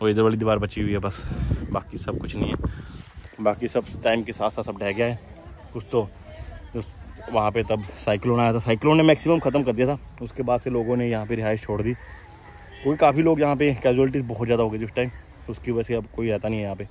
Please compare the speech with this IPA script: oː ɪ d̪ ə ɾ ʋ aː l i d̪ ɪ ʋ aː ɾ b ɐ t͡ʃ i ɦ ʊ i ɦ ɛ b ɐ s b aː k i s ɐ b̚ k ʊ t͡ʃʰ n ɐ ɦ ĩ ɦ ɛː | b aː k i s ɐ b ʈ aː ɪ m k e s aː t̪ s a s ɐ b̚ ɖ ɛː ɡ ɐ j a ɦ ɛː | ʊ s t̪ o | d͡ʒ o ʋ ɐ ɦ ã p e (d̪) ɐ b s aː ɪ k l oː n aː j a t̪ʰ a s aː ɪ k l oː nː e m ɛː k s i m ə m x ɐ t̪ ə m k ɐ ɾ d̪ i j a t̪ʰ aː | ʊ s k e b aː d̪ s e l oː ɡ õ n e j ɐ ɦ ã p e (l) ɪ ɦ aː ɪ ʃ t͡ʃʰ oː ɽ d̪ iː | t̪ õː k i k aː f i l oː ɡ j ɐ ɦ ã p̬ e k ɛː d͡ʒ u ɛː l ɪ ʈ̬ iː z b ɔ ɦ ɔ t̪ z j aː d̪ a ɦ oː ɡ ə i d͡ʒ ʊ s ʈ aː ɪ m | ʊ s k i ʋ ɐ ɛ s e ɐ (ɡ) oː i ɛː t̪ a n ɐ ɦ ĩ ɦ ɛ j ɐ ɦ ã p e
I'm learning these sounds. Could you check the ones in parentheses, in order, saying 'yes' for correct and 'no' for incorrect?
no, no, no

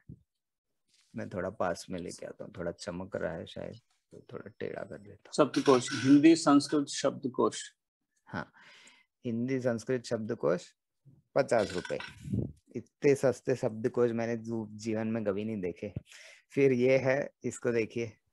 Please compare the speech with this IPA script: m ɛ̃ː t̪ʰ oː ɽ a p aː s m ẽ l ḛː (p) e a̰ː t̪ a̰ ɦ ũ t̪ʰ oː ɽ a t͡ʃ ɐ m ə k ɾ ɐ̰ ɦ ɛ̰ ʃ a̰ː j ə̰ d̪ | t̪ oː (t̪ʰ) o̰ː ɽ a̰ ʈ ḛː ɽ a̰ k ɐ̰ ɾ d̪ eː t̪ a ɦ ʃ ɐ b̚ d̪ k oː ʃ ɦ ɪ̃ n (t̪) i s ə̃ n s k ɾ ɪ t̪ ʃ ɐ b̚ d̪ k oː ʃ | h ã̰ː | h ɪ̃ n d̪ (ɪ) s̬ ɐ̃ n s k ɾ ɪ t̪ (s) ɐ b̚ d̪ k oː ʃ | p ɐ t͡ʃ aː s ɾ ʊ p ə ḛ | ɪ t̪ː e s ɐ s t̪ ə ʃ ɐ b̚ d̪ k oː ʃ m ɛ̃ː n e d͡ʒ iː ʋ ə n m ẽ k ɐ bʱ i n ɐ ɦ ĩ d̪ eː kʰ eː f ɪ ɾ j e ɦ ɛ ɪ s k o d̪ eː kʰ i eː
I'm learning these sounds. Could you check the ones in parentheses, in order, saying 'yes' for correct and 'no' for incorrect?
no, yes, no, no, no

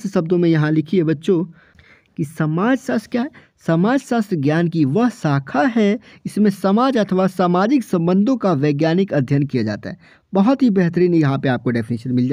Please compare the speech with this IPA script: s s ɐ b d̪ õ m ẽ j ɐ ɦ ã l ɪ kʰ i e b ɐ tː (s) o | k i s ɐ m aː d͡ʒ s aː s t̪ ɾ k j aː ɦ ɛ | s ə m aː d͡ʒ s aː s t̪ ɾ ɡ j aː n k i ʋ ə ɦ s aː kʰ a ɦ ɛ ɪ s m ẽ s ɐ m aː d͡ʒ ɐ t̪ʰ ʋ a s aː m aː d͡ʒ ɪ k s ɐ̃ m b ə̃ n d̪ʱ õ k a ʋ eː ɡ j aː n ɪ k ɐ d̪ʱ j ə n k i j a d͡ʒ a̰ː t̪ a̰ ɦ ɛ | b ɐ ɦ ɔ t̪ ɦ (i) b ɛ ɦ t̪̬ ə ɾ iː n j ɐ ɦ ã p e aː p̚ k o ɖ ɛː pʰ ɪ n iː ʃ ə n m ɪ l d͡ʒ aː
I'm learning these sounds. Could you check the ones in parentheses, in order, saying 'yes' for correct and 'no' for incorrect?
no, yes

